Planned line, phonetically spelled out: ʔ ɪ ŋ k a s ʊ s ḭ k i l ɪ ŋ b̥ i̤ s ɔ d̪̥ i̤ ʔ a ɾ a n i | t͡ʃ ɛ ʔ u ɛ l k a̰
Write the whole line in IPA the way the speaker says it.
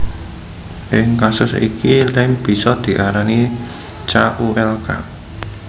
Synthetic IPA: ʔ ɪ ŋ k a s ʊ s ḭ k i l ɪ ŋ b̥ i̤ s ɔ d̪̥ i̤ ʔ a ɾ a n i | t͡ʃ a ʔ u ɛ l k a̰